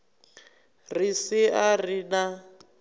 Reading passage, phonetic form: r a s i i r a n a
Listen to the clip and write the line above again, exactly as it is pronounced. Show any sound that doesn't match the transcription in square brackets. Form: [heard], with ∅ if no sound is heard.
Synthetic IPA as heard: r [i] s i [a] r [i] n a